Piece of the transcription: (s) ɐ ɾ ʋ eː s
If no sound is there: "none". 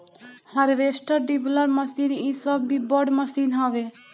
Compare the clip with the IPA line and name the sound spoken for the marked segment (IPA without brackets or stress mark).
h